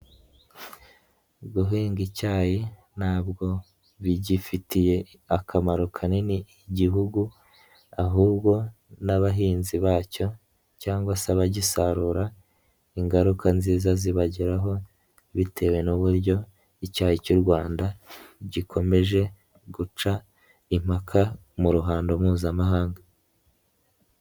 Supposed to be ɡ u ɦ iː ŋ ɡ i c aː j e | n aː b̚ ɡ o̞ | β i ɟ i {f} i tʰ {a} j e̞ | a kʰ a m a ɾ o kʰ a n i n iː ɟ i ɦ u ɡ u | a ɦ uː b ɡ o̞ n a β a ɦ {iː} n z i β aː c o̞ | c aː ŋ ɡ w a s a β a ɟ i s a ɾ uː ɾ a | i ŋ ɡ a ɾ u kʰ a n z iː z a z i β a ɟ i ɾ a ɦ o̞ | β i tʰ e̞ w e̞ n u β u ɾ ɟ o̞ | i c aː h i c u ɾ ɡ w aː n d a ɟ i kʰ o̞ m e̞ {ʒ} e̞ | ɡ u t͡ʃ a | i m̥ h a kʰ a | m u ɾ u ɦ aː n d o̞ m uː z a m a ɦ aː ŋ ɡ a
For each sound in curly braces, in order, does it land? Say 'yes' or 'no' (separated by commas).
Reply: yes, no, yes, yes